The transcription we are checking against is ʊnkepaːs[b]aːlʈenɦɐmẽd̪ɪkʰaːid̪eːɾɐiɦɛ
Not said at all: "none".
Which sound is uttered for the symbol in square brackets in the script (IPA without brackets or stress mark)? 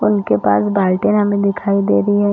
b